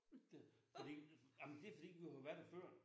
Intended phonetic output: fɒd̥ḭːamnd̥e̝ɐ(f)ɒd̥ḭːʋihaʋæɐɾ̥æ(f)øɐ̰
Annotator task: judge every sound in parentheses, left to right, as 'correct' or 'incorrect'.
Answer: correct, correct

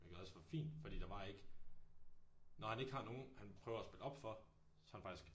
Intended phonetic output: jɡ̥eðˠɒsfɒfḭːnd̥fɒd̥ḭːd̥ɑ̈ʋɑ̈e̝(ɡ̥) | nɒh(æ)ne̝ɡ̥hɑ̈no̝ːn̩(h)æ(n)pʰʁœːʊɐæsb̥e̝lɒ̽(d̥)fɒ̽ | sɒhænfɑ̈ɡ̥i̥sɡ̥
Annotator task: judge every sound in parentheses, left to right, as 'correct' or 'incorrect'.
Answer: correct, correct, correct, correct, incorrect

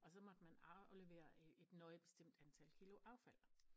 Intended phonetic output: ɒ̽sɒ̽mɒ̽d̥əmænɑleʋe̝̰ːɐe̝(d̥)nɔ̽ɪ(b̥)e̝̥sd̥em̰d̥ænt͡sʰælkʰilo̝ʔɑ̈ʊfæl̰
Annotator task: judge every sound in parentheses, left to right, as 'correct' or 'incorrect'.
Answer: correct, correct

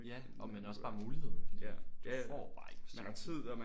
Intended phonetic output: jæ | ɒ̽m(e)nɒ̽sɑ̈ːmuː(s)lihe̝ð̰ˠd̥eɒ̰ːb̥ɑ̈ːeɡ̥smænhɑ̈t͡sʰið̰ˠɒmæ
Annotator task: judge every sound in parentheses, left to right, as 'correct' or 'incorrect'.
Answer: correct, incorrect

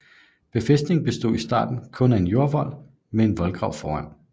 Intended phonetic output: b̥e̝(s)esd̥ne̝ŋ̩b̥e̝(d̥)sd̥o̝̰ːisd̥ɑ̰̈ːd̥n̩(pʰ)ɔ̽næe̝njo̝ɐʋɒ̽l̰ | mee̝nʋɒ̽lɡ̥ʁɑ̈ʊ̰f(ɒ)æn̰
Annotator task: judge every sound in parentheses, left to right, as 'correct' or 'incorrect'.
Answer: incorrect, incorrect, incorrect, incorrect

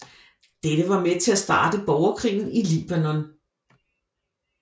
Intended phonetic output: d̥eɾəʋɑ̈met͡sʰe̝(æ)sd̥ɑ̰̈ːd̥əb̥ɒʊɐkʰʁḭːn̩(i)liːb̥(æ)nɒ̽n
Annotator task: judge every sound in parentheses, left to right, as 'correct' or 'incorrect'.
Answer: correct, correct, correct

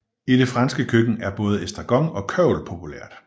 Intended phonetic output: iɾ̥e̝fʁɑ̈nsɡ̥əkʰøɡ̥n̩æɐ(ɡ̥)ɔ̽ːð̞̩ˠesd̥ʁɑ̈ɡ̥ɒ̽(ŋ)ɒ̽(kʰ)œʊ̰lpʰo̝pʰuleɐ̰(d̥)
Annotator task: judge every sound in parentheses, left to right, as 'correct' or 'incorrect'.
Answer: incorrect, correct, correct, correct

